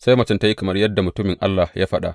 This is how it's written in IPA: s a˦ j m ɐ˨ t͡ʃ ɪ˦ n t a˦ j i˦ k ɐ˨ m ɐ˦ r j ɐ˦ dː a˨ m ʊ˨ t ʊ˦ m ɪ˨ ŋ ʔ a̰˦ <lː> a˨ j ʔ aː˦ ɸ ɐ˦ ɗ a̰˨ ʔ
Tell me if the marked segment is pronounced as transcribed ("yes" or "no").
yes